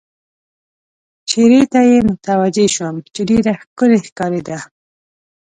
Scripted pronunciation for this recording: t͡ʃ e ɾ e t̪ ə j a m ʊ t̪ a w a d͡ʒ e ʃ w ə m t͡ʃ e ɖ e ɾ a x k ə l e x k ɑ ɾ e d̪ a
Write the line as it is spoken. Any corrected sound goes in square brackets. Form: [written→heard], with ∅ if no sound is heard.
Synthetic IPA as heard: t͡ʃ e ɾ e t̪ [ə→a] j [a→e] m ʊ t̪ a w a d͡ʒ e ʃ w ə m t͡ʃ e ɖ e ɾ a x k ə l e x k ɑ ɾ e d̪ a